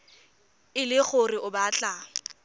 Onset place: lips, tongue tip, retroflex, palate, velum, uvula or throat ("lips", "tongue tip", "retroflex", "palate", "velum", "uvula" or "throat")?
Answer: tongue tip